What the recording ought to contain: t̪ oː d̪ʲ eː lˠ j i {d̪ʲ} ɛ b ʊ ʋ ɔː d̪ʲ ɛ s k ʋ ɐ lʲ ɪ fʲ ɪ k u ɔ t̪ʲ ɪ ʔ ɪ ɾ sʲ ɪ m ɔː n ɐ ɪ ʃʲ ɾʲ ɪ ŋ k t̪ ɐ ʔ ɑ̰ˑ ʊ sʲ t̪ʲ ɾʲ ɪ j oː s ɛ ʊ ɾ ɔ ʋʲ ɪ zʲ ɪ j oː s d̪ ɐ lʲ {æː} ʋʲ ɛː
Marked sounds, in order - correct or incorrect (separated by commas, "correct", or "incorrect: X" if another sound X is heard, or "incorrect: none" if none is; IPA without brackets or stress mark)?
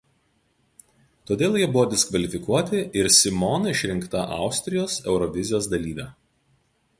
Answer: incorrect: none, incorrect: iː